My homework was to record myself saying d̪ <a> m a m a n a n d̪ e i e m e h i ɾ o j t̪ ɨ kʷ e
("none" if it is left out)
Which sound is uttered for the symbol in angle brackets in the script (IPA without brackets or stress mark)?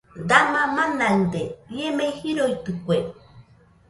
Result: a